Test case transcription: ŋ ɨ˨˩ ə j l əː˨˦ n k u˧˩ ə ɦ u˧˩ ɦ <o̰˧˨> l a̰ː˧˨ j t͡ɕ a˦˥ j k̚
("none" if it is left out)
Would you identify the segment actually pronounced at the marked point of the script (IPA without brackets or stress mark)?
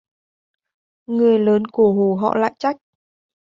ɔ̰˧˨